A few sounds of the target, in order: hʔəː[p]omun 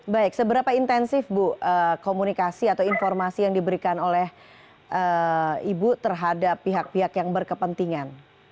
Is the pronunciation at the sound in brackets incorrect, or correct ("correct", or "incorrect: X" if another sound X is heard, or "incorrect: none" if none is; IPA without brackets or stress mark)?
incorrect: k